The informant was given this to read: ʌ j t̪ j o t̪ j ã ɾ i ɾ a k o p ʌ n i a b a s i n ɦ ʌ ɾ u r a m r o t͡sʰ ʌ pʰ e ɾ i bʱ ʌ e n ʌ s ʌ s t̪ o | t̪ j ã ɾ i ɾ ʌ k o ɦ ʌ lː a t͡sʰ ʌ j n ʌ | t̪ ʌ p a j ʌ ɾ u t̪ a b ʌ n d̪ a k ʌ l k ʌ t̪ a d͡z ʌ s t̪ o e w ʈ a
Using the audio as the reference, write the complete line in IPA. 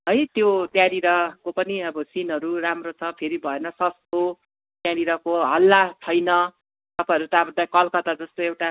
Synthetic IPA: ʌ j t̪ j o t̪ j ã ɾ i ɾ ʌ k o p ʌ n i ʌ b ʌ s i n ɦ ʌ ɾ u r a m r o t͡sʰ ʌ pʰ e ɾ i bʱ ʌ e n ʌ s ʌ s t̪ o | t̪ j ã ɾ i ɾ ʌ k o ɦ ʌ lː a t͡sʰ ʌ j n ʌ | t̪ ʌ p a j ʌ ɾ u t̪ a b ʌ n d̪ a k ʌ l k ʌ t̪ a d͡z ʌ s t̪ o e w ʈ a